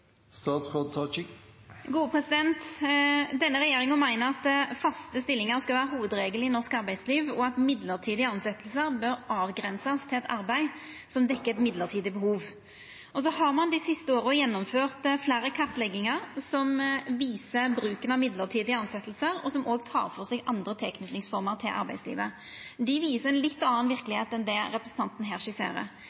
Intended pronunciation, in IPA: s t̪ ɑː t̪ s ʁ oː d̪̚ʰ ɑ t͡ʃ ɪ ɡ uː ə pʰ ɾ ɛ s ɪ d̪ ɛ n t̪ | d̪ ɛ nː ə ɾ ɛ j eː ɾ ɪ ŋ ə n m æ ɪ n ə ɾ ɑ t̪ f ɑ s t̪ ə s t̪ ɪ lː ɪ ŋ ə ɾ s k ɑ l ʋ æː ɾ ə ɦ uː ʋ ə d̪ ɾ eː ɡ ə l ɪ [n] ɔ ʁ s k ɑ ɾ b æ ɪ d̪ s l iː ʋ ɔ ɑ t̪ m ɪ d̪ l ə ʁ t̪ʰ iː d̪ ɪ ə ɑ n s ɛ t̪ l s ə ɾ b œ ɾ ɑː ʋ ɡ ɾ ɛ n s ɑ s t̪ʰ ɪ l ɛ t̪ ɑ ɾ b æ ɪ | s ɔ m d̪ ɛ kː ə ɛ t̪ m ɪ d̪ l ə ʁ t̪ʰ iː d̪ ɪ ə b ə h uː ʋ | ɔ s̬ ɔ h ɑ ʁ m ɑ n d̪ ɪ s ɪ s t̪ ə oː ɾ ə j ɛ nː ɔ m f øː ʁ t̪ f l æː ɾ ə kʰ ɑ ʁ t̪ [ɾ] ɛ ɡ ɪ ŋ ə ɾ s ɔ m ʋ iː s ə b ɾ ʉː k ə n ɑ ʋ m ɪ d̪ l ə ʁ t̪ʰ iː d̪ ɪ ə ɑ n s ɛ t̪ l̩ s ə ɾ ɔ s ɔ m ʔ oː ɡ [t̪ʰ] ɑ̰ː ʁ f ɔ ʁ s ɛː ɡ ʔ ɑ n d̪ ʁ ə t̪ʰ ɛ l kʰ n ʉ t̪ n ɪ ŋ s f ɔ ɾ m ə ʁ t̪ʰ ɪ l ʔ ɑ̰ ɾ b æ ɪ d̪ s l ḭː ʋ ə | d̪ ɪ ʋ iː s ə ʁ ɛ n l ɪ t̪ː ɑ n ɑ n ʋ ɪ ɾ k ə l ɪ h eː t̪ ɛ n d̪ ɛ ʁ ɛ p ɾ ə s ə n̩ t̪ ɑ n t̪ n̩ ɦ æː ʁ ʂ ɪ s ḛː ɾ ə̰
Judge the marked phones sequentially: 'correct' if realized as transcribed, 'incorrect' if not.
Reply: correct, incorrect: l, correct

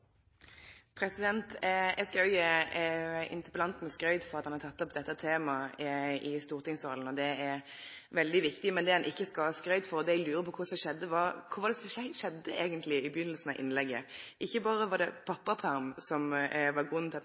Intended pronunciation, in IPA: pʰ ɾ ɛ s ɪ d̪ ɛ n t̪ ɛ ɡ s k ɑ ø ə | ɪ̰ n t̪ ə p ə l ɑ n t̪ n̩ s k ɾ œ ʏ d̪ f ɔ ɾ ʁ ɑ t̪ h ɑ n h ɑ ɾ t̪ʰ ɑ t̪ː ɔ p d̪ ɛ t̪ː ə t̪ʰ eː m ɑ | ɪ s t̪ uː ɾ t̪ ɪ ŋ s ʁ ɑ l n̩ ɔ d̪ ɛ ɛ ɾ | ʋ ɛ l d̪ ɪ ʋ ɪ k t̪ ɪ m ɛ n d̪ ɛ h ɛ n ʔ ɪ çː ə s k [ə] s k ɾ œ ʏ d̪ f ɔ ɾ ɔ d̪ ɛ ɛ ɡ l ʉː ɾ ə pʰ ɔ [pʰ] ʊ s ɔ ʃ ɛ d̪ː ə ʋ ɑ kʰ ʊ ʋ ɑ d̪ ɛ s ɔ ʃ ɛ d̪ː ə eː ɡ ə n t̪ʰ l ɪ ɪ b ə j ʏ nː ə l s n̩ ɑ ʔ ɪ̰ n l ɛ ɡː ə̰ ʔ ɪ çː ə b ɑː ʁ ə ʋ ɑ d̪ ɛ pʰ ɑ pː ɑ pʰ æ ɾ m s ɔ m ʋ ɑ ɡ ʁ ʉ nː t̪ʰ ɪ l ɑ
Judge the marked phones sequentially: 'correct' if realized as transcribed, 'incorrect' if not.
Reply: incorrect: ɑ, incorrect: kʰ

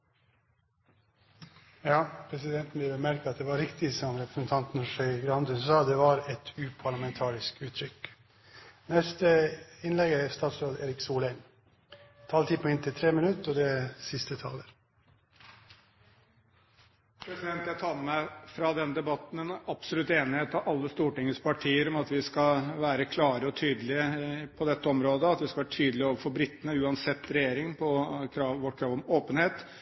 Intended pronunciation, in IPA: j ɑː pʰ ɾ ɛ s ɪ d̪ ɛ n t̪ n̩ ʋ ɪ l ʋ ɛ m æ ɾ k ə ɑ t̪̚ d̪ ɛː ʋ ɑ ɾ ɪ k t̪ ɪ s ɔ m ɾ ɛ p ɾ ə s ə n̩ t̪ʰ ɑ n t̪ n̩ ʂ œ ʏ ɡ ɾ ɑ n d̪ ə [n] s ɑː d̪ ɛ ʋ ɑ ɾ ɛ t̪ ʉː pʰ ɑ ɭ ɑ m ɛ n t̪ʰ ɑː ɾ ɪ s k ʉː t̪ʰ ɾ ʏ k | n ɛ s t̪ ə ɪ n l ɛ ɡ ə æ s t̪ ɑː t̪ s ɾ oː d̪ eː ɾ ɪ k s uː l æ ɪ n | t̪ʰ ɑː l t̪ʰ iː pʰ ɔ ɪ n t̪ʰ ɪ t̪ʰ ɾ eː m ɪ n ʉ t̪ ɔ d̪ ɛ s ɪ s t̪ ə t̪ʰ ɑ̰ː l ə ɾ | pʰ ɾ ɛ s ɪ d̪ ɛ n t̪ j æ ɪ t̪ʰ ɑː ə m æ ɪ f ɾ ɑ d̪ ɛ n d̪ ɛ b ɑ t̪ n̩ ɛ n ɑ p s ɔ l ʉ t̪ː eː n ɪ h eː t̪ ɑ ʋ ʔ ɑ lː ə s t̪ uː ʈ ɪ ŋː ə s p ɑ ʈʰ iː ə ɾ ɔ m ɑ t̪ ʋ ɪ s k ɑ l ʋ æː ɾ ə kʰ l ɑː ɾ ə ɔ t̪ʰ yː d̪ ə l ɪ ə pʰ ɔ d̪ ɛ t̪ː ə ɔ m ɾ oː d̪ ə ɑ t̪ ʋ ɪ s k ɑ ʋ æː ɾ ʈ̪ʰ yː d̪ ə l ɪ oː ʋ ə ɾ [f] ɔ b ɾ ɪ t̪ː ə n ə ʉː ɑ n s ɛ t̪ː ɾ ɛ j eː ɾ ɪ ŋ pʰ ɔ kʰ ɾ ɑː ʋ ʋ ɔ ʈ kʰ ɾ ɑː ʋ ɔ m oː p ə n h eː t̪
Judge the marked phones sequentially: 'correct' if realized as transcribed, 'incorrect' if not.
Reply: correct, correct

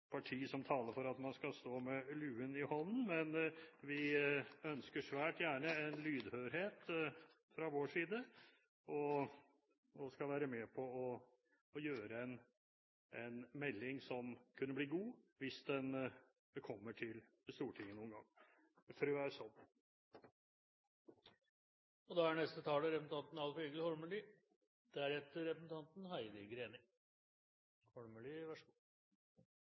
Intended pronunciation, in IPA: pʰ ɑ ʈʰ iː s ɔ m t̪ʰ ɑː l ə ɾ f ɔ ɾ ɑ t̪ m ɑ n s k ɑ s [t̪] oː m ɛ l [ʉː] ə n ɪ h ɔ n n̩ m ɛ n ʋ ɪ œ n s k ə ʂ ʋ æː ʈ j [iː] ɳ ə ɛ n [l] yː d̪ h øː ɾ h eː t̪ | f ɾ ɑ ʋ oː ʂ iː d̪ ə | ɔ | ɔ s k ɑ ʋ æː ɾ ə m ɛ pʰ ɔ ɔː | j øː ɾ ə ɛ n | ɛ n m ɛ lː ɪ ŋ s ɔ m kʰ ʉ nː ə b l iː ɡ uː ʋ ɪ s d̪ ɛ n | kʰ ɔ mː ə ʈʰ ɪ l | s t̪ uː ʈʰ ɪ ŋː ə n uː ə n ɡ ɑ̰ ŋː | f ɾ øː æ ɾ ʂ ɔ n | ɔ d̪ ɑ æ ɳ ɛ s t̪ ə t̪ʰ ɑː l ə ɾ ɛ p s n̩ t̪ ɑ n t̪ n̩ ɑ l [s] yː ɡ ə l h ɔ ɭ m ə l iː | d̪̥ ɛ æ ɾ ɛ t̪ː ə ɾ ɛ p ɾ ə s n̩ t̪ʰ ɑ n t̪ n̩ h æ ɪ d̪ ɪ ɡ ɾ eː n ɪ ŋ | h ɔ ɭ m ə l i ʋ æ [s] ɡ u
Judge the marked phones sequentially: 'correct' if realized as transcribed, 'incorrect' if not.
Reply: correct, correct, incorrect: æː, correct, incorrect: f, incorrect: ʂ

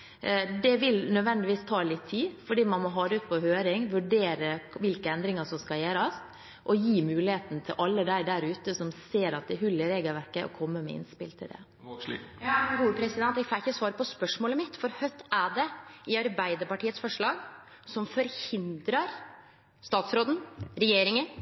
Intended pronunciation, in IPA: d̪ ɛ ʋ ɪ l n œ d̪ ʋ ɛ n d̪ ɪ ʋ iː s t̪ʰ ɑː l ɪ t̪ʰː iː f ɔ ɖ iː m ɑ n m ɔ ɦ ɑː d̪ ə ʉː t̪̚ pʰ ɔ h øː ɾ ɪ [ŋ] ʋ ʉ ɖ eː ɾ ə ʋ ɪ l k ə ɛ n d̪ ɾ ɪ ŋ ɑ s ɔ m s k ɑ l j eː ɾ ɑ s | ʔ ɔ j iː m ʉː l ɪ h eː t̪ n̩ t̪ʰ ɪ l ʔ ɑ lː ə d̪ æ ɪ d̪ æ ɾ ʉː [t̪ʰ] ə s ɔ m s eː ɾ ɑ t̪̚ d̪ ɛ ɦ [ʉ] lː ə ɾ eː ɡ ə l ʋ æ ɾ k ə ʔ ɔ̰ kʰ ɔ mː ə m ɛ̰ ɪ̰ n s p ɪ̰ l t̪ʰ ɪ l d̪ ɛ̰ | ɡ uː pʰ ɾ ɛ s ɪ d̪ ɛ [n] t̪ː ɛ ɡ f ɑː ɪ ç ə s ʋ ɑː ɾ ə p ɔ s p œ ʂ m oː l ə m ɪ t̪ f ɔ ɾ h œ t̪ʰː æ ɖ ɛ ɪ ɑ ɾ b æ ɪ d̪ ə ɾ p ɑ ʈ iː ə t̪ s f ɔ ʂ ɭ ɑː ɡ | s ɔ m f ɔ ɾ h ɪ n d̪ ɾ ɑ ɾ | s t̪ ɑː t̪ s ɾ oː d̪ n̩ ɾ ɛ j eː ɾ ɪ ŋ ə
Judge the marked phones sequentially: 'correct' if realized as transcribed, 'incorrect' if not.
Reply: correct, incorrect: t̪, correct, correct

